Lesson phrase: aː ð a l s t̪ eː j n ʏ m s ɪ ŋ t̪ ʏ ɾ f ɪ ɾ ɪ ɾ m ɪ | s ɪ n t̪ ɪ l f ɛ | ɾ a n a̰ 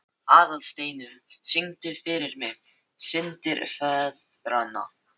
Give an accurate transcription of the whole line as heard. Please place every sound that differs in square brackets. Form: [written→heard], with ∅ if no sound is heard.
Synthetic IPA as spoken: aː ð a l s t̪ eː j n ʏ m s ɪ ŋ t̪ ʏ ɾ f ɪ ɾ ɪ ɾ m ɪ | s ɪ n t̪ ɪ [l→ɾ] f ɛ | ɾ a n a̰